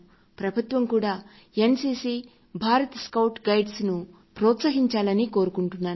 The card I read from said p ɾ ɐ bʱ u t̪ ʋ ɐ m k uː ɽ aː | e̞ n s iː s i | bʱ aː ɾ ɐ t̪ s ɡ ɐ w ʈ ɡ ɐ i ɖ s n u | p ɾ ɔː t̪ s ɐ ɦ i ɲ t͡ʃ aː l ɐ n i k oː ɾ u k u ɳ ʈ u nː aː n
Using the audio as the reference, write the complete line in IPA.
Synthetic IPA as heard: p ɾ ɐ bʱ u t̪ ʋ ɐ m k uː ɽ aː | e̞ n s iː s i | bʱ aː ɾ ɐ t̪ s k ɐ w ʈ ɡ ɐ j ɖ s n u | p ɾ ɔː t̪ s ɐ ɦ i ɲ t͡ʃ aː l ɐ n i k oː ɾ u k u ɳ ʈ u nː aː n